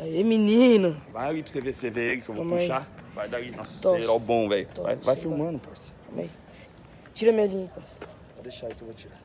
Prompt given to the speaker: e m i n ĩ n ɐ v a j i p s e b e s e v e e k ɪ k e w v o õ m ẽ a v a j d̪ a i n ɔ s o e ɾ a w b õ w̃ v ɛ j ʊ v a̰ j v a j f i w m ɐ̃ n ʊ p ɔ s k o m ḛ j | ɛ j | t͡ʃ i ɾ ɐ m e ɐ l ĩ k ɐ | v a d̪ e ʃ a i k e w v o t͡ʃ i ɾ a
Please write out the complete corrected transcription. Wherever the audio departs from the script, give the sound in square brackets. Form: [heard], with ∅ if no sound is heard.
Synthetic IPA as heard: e m i n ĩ n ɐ v a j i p s e [v] e s e v e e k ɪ k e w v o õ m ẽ a v a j d̪ a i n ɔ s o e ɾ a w b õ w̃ v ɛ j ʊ v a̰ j v a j f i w m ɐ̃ n ʊ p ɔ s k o m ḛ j | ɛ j | t͡ʃ i ɾ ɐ m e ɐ l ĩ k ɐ | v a d̪ e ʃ a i k e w v o t͡ʃ i ɾ a